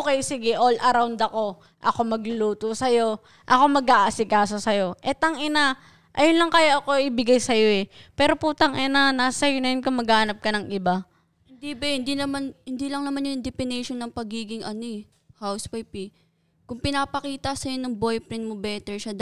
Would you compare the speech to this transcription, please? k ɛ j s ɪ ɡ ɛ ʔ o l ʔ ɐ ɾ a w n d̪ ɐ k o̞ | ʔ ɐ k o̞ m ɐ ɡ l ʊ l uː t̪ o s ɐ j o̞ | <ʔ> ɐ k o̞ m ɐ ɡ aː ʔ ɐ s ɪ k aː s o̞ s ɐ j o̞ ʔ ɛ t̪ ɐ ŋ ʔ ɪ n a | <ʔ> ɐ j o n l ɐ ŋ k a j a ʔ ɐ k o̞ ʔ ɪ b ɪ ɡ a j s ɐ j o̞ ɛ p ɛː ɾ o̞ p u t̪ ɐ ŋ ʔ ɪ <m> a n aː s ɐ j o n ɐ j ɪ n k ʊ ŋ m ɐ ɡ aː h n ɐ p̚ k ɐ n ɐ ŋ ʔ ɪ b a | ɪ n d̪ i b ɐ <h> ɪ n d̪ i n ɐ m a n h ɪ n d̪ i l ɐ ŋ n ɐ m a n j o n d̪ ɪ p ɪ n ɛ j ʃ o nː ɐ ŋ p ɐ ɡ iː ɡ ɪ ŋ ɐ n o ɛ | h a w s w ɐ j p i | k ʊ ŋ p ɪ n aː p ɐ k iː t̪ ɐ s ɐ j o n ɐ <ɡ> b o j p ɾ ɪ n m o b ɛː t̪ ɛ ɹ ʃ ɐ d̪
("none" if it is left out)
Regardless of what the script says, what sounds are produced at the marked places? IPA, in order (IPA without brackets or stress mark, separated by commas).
ʔ, ʔ, n, h, ŋ